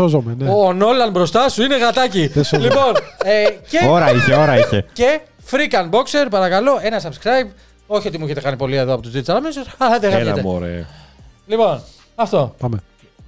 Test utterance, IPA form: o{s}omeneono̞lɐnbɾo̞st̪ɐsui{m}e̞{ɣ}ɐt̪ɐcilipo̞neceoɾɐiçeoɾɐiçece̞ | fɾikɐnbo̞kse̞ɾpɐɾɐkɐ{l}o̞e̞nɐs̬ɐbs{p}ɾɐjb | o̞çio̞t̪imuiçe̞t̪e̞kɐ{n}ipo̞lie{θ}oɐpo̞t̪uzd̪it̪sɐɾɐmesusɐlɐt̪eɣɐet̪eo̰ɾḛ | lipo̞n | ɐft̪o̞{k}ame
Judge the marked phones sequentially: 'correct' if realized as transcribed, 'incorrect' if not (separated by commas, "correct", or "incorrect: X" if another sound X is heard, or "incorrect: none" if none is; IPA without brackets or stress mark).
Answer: incorrect: z, incorrect: n, correct, correct, incorrect: k, correct, incorrect: ð, incorrect: p